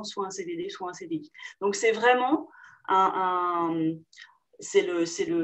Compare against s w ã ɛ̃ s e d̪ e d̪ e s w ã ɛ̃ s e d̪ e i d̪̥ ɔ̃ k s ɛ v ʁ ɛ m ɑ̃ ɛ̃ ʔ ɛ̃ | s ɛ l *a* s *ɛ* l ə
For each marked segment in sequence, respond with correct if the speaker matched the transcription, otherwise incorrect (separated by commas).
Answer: incorrect, correct